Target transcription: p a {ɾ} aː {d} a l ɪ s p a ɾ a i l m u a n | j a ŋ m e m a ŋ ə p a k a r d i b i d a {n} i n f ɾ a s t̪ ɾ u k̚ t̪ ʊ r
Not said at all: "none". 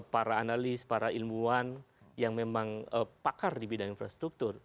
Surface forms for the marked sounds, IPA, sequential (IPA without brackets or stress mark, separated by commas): ɾ, n, ŋ